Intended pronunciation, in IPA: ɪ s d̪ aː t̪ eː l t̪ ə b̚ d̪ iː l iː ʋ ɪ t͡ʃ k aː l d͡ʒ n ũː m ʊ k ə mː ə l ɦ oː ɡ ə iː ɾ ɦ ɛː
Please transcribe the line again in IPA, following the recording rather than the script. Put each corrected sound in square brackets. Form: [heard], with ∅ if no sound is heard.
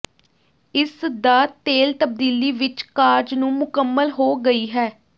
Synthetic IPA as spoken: ɪ s d̪ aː t̪ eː l t̪ ə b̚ d̪ iː l iː ʋ ɪ t͡ʃ k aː [ɾ] d͡ʒ n ũː m ʊ k ə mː ə l ɦ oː ɡ ə iː [∅] ɦ ɛː